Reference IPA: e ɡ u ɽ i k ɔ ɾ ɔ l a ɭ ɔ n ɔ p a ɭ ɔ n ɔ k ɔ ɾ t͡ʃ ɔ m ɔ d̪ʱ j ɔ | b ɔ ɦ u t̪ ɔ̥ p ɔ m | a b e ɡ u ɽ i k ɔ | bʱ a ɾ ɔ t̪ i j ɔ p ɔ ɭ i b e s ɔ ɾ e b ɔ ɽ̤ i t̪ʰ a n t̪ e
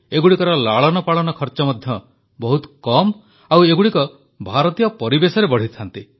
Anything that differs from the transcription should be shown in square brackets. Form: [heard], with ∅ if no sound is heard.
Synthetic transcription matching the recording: e ɡ u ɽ i k ɔ ɾ ɔ l a ɭ ɔ n ɔ p a ɭ ɔ n ɔ [kʰ] ɔ ɾ t͡ʃ ɔ m ɔ d̪ʱ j ɔ | b ɔ ɦ u t̪ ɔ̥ [k] ɔ m | a [w] e ɡ u ɽ i k ɔ | bʱ a ɾ ɔ t̪ i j ɔ p ɔ [ɾ] i b e s ɔ ɾ e b ɔ ɽ̤ i t̪ʰ a n t̪ [i]